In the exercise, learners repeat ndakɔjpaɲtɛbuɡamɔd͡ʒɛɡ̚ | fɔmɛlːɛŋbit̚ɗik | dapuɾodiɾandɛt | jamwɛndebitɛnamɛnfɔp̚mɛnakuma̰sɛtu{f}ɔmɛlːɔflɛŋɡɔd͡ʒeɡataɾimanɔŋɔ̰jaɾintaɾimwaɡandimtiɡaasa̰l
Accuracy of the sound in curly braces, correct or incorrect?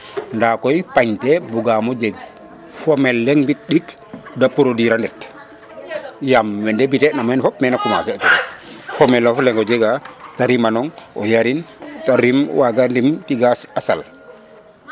correct